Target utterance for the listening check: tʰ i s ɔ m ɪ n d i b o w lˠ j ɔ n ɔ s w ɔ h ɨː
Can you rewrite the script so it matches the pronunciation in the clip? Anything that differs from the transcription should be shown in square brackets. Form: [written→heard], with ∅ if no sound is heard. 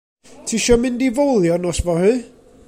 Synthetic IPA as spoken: tʰ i [s→ʃ] ɔ m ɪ n d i [b→v] o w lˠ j ɔ n ɔ s [w→v] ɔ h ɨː